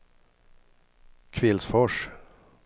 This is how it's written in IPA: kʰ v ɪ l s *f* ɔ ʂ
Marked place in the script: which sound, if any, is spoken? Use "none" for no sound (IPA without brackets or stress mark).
f